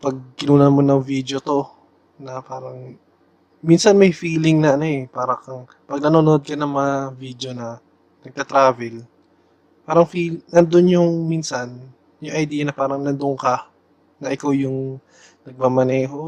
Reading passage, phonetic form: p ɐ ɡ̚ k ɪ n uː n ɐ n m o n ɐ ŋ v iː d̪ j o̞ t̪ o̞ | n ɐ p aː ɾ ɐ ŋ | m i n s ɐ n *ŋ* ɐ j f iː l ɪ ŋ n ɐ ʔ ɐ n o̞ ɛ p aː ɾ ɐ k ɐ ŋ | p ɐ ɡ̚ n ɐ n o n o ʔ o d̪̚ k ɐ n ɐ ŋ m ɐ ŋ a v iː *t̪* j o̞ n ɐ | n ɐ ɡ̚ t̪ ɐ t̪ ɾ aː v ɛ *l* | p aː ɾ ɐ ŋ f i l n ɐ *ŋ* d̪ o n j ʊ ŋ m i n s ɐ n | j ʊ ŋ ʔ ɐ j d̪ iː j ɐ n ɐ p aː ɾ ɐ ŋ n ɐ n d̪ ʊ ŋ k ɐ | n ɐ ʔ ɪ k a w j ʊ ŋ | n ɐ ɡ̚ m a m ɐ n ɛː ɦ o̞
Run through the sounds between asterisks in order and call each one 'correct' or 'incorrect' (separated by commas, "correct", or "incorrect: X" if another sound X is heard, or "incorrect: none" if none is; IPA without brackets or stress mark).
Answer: incorrect: m, incorrect: d̪, correct, incorrect: n